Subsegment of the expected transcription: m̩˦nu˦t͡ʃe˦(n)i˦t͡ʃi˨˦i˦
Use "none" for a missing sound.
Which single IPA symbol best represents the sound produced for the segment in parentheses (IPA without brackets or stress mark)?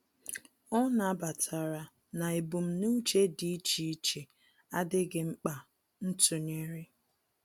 d